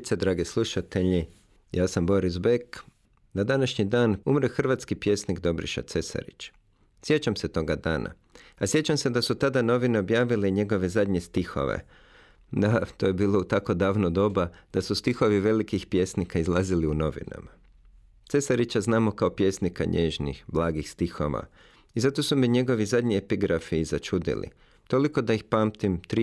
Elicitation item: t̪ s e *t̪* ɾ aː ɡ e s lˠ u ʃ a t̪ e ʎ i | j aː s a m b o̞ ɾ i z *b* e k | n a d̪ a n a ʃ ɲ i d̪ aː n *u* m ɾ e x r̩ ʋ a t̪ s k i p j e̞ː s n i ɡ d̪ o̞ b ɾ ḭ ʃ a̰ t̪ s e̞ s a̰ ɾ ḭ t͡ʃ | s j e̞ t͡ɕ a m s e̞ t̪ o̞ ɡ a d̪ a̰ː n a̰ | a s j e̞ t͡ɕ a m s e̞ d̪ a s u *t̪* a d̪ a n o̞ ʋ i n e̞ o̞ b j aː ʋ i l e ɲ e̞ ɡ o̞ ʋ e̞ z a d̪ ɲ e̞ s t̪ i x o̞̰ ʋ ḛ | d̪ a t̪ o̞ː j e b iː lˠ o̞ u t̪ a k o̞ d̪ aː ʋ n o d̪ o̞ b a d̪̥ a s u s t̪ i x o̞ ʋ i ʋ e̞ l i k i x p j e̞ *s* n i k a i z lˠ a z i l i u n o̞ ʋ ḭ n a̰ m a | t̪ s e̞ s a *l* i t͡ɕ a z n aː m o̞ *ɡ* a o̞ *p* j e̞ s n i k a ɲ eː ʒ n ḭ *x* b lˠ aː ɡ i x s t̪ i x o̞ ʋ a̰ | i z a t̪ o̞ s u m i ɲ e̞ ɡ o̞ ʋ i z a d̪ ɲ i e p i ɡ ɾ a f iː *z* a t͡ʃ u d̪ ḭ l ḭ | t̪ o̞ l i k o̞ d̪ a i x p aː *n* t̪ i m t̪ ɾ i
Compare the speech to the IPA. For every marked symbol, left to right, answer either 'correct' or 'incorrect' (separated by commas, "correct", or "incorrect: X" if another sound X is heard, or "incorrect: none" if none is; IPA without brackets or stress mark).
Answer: incorrect: d̪, correct, correct, correct, correct, incorrect: ɾ, incorrect: k, correct, correct, correct, incorrect: m